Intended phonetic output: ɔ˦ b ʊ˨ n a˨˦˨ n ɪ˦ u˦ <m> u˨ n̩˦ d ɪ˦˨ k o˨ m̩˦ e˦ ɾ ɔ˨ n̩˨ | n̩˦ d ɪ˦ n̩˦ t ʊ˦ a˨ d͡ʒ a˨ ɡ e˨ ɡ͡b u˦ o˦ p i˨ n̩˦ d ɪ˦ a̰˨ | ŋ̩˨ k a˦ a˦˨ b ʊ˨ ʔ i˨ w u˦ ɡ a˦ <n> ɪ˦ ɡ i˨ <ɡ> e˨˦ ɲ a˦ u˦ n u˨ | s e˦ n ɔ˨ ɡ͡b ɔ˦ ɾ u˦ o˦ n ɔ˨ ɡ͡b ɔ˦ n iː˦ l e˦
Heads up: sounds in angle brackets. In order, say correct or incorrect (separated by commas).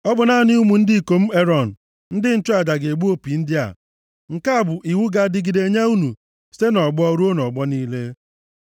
correct, incorrect, incorrect